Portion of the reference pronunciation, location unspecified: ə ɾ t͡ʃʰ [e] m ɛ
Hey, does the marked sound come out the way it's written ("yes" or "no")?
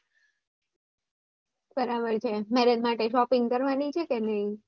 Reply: yes